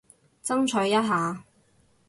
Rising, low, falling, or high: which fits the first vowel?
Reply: high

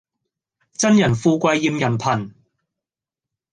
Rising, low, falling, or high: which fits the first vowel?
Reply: high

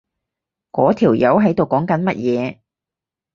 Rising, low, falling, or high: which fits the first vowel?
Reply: rising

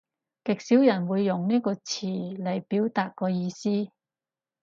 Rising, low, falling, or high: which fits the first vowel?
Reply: low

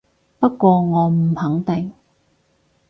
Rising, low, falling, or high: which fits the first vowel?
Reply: high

